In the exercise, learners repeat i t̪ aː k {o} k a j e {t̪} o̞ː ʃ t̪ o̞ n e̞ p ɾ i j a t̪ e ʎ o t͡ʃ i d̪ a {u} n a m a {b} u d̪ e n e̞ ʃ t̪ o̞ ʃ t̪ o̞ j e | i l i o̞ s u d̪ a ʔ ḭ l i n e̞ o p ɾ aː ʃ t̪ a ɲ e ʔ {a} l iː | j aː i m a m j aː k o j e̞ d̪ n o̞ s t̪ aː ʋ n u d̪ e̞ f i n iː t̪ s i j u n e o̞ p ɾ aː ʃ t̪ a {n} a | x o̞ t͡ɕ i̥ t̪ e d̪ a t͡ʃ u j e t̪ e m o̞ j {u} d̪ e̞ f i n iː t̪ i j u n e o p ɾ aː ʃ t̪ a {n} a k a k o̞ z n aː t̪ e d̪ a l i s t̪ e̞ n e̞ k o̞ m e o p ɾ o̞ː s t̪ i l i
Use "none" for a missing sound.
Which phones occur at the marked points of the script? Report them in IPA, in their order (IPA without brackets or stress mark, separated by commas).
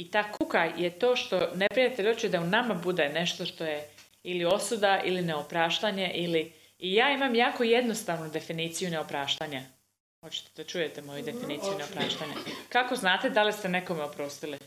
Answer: u, t̪, u, b, i, ɲ, u, ɲ